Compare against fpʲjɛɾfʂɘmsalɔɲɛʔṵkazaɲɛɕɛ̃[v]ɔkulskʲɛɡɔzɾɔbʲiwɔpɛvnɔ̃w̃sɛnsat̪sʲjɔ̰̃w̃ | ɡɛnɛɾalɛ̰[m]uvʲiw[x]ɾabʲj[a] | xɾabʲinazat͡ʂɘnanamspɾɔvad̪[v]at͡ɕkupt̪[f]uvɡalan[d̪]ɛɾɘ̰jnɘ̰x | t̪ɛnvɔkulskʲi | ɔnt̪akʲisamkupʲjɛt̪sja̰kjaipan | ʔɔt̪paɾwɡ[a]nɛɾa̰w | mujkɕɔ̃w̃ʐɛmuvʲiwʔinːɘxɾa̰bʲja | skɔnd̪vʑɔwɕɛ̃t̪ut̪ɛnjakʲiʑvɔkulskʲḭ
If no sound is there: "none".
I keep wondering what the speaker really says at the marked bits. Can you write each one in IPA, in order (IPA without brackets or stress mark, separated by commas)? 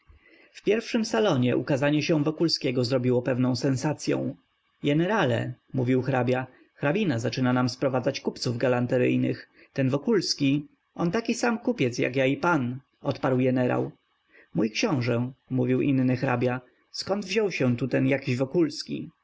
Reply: v, m, x, a, z, s, t̪, ɛ